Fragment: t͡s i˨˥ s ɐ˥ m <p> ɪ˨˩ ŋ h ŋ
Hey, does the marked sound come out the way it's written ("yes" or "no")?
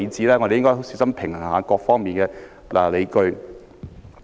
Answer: no